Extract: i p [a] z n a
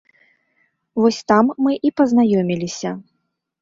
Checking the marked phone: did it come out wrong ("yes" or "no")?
yes